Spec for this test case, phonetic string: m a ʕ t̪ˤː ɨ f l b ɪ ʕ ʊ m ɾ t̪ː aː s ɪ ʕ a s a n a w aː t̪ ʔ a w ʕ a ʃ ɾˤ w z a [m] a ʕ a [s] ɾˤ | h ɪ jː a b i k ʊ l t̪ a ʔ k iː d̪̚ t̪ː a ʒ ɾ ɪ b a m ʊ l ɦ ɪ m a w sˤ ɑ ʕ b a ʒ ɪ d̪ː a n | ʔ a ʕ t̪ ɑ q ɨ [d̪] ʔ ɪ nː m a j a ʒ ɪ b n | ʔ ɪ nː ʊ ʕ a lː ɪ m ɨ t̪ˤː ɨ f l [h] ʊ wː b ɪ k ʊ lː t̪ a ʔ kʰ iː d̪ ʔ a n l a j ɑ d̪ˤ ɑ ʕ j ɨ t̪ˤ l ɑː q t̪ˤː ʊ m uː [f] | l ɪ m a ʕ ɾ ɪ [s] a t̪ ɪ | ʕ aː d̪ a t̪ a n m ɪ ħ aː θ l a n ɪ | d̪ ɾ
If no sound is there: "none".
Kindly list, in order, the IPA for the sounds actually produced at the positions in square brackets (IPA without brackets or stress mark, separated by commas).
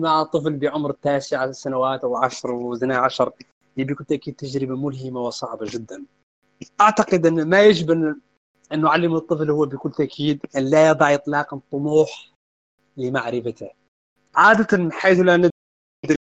n, ʃ, d̪, h, ħ, f